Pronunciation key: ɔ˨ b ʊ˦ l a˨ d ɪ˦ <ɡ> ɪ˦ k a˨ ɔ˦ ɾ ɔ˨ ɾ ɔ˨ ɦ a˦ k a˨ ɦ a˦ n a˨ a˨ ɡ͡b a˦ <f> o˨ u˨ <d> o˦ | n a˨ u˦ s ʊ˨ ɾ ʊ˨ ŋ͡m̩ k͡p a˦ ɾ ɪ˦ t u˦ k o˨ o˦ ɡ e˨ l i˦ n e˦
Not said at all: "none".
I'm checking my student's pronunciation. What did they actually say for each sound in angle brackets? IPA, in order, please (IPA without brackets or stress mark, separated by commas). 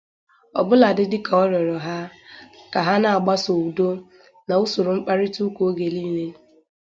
d, s, d